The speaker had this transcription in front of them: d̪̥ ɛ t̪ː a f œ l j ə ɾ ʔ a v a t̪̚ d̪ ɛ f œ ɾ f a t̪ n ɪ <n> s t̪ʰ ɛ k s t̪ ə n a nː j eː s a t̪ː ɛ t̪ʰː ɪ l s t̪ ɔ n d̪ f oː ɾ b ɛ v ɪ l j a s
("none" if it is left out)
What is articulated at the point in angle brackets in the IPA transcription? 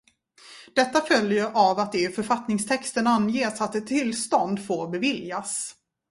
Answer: ŋ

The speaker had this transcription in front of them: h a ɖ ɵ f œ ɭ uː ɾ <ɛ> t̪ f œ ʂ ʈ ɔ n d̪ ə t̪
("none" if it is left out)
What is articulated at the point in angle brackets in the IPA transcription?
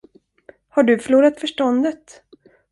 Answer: a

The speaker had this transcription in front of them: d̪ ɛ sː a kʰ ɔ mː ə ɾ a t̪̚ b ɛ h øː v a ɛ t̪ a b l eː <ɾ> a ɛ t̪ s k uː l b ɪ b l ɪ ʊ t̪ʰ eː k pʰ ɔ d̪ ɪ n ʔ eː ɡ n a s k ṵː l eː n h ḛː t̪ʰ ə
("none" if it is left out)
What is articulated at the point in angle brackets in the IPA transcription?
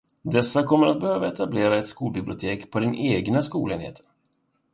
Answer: ɾ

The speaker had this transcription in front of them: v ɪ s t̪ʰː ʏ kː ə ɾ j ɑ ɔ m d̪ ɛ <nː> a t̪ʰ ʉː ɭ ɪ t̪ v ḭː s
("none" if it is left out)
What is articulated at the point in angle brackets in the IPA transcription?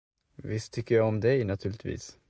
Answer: n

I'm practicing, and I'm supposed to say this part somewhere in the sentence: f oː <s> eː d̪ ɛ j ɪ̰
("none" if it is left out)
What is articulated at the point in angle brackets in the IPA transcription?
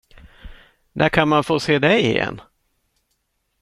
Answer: s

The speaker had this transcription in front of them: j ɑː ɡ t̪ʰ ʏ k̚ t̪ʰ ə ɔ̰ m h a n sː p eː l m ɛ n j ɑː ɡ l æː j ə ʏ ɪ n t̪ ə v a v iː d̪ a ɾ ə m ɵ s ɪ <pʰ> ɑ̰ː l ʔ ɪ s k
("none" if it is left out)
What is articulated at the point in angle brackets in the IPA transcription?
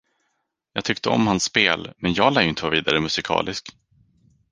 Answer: kʰ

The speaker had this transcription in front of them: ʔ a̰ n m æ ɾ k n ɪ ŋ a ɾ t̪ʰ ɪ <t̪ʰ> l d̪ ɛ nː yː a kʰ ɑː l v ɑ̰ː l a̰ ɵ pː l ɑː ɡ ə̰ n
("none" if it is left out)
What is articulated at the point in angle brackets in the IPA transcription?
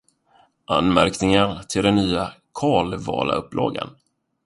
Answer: none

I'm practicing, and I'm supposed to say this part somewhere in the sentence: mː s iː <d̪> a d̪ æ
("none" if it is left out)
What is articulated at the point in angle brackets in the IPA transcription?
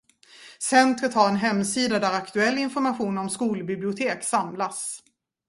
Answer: d̪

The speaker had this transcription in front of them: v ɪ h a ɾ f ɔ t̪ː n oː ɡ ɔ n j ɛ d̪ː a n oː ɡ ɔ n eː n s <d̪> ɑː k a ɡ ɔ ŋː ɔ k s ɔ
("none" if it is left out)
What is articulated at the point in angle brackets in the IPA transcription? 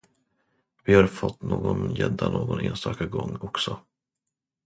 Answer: t̪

